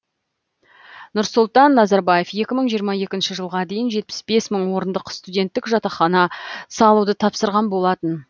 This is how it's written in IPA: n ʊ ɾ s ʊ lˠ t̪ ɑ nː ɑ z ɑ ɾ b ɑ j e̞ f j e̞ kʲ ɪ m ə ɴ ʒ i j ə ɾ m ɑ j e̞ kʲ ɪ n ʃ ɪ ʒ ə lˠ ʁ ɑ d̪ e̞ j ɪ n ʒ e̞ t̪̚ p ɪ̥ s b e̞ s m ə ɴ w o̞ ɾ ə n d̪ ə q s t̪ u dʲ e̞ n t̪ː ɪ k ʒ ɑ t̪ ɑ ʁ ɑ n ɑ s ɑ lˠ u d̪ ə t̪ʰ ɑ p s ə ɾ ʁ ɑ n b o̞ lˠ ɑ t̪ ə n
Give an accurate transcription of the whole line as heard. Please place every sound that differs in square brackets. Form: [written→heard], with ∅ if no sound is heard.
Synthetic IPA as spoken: n ʊ ɾ s ʊ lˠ t̪ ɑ nː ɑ z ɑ ɾ b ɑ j e̞ f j e̞ kʲ ɪ m ə ɴ ʒ i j ə ɾ m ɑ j e̞ kʲ ɪ n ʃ ɪ ʒ ə lˠ ʁ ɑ d̪ e̞ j ɪ n ʒ e̞ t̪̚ p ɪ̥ s b e̞ s m ə ɴ w o̞ ɾ ə n d̪ ə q s t̪ u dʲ e̞ n t̪ː ɪ k ʒ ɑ t̪ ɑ [ʁ→χ] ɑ n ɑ s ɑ lˠ u d̪ ə t̪ʰ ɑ p s ə ɾ ʁ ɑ n b o̞ lˠ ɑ t̪ ə n

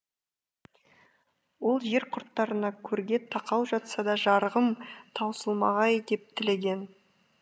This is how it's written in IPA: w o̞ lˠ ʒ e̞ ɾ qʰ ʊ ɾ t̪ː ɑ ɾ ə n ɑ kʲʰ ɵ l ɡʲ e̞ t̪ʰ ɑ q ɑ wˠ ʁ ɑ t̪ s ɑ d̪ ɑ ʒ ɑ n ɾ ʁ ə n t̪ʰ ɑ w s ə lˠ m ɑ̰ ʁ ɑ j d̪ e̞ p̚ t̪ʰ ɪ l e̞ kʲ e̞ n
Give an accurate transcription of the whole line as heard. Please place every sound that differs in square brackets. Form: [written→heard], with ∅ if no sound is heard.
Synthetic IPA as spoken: w o̞ lˠ ʒ e̞ ɾ qʰ ʊ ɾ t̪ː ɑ ɾ ə n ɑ kʲʰ ɵ [l→ɾ] ɡʲ e̞ t̪ʰ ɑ q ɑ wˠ [ʁ→ʒ] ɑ t̪ s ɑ d̪ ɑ ʒ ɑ [n→∅] ɾ ʁ ə [n→m] t̪ʰ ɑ w s ə lˠ m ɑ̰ ʁ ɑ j d̪ e̞ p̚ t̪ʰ ɪ l e̞ [kʲ→ɡʲ] e̞ n

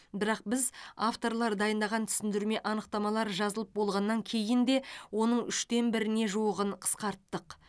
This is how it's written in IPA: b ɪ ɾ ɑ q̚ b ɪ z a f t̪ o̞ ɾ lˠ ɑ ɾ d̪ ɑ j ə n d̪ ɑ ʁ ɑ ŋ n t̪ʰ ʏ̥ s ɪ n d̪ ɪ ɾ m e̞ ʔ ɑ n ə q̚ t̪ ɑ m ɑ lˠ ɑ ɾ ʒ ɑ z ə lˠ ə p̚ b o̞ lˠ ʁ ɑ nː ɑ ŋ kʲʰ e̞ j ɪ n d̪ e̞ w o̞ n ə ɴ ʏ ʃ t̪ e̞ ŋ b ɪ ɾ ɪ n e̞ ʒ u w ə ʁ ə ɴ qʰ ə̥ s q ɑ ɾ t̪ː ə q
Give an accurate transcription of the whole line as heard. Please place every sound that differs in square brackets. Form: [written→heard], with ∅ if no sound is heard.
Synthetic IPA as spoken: b ɪ ɾ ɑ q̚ b ɪ z a f t̪ o̞ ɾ lˠ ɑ ɾ d̪ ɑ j ə n d̪ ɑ ʁ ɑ [ŋ→∅] n t̪ʰ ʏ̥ s ɪ n d̪ ɪ ɾ m e̞ ʔ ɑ n ə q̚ t̪ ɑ m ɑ lˠ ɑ ɾ ʒ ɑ z ə lˠ ə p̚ b o̞ lˠ ʁ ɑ nː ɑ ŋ kʲʰ e̞ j ɪ n d̪ e̞ w o̞ n ə ɴ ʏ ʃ t̪ e̞ [ŋ→n] b ɪ ɾ ɪ n e̞ ʒ u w ə ʁ ə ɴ qʰ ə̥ s q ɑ ɾ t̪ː ə q

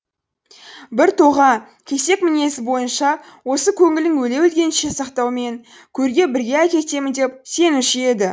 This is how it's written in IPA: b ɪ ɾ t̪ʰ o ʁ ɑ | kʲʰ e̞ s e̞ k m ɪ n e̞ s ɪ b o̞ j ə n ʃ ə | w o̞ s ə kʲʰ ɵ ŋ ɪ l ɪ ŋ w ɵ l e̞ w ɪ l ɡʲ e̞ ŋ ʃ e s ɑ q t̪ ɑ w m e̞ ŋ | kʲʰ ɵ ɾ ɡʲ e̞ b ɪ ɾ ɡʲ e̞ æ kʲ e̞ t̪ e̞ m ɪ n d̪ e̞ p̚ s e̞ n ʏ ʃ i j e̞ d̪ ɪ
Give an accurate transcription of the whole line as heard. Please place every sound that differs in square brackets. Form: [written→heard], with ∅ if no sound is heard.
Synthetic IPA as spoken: b ɪ ɾ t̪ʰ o ʁ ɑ | kʲʰ e̞ s e̞ k m ɪ n e̞ s ɪ b o̞ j ə n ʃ [ə→ɑ] | w o̞ s ə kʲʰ ɵ ŋ ɪ l ɪ ŋ w ɵ l e̞ w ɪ l ɡʲ e̞ [ŋ→n] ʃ e s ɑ q t̪ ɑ w m e̞ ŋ | kʲʰ ɵ ɾ ɡʲ e̞ b ɪ ɾ ɡʲ e̞ æ kʲ e̞ t̪ e̞ m ɪ n d̪ e̞ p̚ s e̞ n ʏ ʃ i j e̞ d̪ ɪ

